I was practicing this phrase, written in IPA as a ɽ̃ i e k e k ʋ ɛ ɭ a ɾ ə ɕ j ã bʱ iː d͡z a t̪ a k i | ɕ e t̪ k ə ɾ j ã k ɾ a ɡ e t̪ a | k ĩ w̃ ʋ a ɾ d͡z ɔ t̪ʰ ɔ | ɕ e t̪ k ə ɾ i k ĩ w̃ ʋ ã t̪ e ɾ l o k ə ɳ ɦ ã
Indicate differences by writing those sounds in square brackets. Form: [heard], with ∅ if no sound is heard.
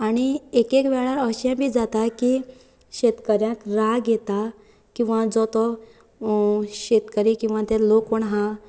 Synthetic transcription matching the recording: a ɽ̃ i e k e k ʋ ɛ ɭ a ɾ ə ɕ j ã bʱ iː d͡z a t̪ a k i | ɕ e t̪ k ə ɾ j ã k ɾ a ɡ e t̪ a | k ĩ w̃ ʋ a [∅] d͡z ɔ [t̪] ɔ | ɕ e t̪ k ə ɾ i k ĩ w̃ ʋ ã t̪ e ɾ l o k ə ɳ ɦ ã